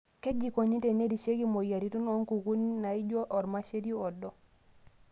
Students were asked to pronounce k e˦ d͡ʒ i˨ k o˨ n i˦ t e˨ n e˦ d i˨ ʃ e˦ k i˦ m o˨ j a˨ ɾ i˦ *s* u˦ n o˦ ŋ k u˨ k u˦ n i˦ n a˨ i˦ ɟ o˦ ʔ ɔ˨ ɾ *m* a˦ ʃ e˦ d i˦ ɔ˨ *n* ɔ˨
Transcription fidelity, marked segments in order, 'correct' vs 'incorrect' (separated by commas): incorrect, correct, incorrect